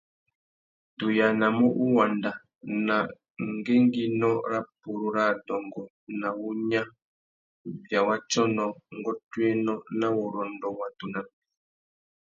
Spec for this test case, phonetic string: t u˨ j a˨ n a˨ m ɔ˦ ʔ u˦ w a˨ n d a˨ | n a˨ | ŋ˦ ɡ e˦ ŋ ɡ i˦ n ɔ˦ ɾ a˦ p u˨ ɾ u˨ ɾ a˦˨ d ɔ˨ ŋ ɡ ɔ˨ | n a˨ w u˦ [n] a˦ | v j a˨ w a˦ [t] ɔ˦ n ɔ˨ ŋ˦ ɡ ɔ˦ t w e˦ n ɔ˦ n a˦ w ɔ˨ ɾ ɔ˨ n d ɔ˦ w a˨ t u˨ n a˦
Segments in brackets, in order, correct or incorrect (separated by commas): incorrect, incorrect